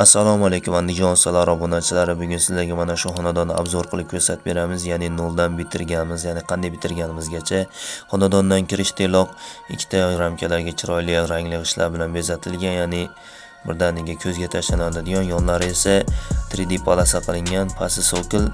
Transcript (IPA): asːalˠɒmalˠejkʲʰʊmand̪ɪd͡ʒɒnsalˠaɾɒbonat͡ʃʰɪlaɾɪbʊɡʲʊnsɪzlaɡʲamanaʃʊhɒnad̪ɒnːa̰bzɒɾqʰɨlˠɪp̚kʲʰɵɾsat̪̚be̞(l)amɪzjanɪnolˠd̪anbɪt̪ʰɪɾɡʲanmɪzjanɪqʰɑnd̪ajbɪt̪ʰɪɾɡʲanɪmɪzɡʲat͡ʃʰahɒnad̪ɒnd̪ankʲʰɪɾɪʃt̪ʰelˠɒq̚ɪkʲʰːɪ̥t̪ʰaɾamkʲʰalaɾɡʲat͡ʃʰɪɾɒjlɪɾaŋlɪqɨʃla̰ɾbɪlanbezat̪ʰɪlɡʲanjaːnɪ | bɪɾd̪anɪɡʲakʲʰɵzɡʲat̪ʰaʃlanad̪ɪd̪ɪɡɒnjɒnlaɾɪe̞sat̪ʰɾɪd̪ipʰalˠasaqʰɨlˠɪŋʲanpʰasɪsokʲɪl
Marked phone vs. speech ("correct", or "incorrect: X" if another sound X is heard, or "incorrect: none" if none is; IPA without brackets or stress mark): incorrect: ɾ